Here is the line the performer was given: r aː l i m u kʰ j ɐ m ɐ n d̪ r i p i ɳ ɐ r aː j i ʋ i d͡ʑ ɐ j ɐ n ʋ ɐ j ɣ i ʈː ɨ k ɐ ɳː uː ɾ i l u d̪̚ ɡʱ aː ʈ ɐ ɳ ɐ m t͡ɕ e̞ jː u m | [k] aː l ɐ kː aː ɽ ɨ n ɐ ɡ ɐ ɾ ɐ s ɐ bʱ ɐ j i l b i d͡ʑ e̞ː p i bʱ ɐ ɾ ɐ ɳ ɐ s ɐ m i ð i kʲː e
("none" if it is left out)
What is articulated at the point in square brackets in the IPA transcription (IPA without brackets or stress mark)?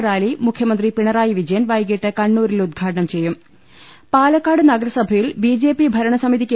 p